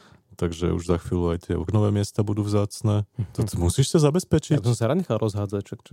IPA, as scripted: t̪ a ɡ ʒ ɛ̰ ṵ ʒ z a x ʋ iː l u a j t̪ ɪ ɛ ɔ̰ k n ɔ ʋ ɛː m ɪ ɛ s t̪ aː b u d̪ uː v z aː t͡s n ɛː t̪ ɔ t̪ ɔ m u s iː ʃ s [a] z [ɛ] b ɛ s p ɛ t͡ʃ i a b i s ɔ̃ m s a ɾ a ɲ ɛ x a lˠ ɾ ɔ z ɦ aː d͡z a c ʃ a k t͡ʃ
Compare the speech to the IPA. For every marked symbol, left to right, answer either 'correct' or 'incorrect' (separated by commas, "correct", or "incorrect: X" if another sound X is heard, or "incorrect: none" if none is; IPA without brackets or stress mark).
correct, incorrect: a